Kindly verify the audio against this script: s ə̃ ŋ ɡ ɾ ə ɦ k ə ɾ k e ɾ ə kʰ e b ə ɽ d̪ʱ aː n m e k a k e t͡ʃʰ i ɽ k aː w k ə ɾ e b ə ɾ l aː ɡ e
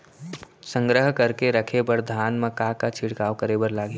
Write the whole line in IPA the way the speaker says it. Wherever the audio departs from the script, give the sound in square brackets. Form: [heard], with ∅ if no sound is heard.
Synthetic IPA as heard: s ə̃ ŋ ɡ ɾ ə ɦ k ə ɾ k e ɾ ə kʰ e b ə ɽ d̪ʱ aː n m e k a k [a] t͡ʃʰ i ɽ k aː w k ə ɾ e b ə ɾ l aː ɡ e